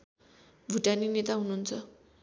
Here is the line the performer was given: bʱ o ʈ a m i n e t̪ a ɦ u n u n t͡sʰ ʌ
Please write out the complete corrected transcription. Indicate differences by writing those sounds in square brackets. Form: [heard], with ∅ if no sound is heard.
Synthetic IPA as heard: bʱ [u] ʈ a [n] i n e t̪ a ɦ u n u n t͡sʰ ʌ